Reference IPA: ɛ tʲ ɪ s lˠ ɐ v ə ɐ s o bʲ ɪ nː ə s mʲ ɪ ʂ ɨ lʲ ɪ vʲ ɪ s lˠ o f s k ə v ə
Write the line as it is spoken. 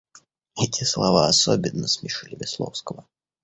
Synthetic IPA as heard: ɛ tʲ ɪ s lˠ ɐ v a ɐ s o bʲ ɪ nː ə s mʲ ɪ ʂ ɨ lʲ ɪ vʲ ɪ s lˠ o f s k ə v ə